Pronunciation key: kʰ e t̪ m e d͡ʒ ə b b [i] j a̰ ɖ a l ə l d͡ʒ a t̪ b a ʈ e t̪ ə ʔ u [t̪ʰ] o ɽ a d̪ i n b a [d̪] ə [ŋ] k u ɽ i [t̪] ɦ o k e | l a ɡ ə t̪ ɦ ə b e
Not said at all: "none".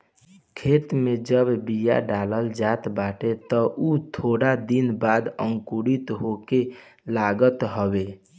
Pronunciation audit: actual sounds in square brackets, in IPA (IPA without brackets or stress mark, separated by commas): i, t̪ʰ, d̪, ŋ, t̪